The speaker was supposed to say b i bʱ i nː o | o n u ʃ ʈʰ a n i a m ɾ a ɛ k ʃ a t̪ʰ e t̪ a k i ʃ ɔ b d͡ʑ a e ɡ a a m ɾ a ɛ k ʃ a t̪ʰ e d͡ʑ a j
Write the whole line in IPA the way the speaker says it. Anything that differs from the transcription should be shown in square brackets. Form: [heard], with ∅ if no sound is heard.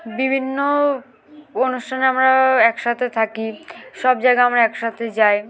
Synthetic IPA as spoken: b i bʱ i nː o | o n u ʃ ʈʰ a n [e] a m ɾ a ɛ k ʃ a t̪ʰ e [t̪ʰ] a k i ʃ ɔ b d͡ʑ a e ɡ a a m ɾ a ɛ k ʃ a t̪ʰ e d͡ʑ a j